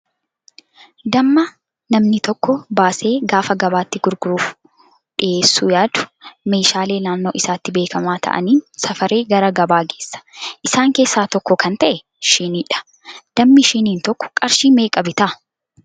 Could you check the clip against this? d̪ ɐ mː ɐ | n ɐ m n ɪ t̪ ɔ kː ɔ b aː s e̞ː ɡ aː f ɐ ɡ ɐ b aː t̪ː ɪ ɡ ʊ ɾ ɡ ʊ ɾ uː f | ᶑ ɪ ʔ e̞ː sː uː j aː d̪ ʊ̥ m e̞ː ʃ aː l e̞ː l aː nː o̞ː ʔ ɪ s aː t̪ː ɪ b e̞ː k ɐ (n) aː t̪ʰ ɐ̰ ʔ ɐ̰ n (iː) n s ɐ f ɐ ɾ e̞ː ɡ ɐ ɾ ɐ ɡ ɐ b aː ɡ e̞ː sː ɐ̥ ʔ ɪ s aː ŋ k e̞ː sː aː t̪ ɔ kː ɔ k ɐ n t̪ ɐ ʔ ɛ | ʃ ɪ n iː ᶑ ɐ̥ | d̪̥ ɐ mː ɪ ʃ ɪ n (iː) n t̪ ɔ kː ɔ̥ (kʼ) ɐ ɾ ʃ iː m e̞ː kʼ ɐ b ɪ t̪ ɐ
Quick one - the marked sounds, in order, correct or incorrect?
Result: incorrect, correct, correct, correct

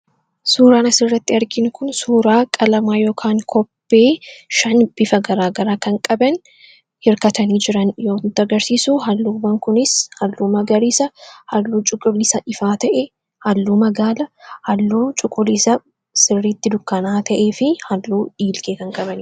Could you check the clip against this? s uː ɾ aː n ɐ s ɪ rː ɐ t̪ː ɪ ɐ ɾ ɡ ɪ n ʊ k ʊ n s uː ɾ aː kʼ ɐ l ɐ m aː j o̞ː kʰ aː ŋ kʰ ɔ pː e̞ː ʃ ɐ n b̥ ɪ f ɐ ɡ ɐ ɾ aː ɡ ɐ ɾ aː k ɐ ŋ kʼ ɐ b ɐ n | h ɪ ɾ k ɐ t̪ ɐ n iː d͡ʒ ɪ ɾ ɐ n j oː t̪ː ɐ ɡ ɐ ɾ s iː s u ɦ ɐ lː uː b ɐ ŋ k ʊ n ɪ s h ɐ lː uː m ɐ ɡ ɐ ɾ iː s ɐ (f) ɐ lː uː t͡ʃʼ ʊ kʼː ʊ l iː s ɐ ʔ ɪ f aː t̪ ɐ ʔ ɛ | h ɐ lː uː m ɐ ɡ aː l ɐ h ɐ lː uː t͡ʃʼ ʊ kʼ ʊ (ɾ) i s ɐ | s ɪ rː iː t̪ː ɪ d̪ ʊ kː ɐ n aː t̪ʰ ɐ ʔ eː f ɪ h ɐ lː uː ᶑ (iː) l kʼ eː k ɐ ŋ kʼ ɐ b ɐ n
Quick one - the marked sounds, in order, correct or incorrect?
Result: incorrect, incorrect, correct

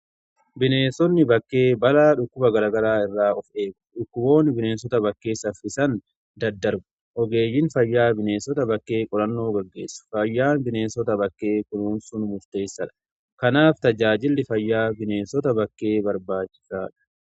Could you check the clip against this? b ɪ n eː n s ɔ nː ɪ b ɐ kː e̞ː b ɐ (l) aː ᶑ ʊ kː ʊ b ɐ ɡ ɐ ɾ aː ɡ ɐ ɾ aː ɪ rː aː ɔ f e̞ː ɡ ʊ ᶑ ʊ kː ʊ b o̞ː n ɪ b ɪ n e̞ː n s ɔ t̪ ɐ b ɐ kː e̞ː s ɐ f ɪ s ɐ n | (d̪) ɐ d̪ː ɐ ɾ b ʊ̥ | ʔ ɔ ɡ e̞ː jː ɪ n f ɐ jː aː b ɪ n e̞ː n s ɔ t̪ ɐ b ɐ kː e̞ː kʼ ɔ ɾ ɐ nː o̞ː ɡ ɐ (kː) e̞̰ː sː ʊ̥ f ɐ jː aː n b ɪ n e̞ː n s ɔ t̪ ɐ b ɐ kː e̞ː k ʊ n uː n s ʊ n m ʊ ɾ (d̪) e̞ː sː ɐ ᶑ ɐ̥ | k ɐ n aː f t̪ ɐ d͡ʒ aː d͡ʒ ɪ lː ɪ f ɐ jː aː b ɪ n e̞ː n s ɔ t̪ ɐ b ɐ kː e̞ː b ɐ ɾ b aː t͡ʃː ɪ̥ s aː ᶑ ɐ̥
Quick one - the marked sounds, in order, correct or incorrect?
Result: correct, correct, incorrect, incorrect

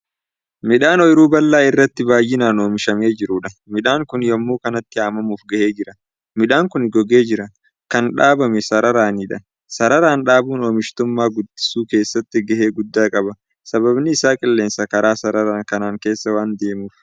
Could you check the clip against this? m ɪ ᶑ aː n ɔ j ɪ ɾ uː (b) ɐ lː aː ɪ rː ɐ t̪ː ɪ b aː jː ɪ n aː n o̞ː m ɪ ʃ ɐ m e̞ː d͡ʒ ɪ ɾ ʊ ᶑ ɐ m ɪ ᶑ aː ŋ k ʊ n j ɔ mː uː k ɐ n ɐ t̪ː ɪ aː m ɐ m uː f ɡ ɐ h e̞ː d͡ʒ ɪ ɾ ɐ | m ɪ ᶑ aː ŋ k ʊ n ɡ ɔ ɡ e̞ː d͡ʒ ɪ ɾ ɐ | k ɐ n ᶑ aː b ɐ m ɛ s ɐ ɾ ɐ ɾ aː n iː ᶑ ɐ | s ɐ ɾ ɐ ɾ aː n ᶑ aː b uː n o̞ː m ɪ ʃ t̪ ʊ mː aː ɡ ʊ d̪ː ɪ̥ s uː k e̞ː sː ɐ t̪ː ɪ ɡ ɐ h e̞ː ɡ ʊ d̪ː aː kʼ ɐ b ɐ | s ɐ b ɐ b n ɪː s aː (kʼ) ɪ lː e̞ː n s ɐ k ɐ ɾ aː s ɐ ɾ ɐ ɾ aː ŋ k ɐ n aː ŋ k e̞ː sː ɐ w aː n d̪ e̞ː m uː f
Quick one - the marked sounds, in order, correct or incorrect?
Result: correct, correct

